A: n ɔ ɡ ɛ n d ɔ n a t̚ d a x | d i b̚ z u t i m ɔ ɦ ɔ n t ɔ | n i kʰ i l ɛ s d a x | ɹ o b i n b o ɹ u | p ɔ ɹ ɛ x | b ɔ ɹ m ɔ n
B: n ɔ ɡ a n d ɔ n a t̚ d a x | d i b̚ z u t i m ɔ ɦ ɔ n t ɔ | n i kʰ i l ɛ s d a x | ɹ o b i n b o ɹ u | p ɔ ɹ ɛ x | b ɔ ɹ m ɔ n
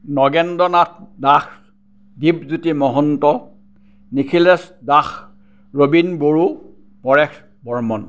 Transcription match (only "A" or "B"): A